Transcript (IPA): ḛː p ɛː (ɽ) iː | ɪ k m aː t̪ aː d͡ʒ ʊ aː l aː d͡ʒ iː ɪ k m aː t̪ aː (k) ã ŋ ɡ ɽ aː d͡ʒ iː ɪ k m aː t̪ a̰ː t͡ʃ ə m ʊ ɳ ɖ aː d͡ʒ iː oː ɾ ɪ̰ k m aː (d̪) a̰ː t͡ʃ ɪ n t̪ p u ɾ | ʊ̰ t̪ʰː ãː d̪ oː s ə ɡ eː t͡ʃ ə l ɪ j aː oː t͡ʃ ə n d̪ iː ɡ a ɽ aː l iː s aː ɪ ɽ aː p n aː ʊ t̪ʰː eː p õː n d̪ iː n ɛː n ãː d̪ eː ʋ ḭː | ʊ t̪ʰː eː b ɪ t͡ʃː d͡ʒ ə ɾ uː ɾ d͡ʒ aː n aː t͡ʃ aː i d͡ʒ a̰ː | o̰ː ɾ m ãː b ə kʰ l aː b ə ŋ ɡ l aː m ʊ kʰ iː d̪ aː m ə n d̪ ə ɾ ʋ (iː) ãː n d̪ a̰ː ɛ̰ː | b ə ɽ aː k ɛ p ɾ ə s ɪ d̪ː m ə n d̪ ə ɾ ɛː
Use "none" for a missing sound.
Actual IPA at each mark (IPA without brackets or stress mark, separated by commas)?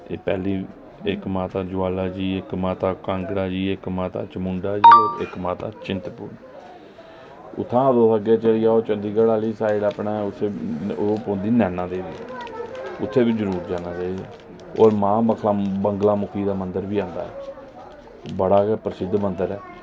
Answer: l, k, t̪, iː